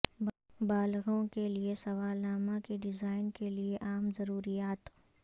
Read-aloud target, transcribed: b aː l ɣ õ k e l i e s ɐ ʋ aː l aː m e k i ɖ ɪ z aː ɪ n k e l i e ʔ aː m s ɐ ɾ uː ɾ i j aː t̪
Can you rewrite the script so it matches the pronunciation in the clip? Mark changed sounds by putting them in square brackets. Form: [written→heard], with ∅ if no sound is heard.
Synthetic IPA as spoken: b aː l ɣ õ k e l i e s ɐ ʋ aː l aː m [e→a] k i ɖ ɪ z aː ɪ n k e l i e ʔ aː m [s→z] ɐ ɾ uː ɾ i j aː t̪